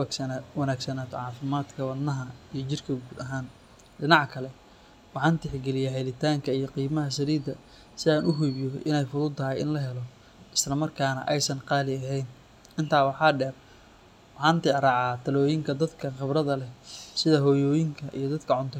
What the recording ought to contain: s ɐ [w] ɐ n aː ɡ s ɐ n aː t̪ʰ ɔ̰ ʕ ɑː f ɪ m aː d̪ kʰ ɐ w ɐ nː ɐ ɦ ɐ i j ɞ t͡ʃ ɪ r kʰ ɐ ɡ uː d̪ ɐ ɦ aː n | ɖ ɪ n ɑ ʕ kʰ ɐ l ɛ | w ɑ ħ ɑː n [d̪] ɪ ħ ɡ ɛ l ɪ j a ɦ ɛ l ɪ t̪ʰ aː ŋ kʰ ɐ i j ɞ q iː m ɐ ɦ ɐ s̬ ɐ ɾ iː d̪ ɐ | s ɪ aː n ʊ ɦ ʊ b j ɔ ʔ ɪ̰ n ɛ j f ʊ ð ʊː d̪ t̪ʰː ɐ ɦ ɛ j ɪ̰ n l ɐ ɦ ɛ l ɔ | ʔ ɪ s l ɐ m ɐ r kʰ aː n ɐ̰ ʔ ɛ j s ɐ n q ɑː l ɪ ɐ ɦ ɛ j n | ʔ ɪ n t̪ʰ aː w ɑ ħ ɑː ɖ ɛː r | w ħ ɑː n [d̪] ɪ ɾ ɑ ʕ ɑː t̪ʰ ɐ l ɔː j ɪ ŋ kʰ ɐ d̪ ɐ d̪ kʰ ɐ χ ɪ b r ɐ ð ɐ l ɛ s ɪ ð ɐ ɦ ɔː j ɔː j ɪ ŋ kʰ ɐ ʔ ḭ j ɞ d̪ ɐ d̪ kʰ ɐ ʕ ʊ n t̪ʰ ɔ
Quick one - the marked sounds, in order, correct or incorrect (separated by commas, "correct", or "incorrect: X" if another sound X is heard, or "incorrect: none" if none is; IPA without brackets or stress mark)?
correct, incorrect: t̪, incorrect: t̪